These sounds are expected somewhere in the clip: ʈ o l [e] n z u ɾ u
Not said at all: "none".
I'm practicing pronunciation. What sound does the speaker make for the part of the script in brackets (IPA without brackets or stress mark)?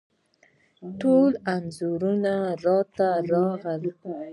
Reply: a